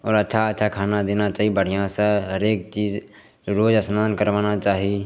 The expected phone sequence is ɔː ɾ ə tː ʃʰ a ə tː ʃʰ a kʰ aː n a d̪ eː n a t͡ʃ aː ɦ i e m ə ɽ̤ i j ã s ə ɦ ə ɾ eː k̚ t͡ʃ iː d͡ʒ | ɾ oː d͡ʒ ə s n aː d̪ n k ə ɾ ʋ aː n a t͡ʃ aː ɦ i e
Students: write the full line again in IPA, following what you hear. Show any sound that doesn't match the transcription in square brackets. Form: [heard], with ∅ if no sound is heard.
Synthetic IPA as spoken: ɔː ɾ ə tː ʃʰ a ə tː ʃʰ a kʰ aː n a d̪ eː n a t͡ʃ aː ɦ i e [b] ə ɽ̤ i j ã s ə ɦ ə ɾ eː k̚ t͡ʃ iː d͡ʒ | ɾ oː d͡ʒ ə s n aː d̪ n k ə ɾ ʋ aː n a t͡ʃ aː ɦ i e